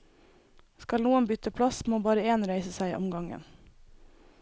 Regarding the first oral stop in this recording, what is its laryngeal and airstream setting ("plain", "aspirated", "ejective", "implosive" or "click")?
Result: plain